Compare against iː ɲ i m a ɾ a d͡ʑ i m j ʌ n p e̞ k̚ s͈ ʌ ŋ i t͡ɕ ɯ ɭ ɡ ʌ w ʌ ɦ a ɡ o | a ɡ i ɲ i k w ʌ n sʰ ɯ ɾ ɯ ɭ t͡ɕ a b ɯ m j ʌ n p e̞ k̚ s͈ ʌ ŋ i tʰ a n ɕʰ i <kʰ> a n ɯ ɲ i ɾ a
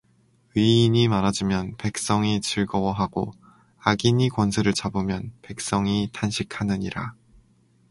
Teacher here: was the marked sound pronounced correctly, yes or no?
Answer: yes